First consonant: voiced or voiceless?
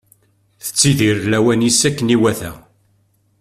voiceless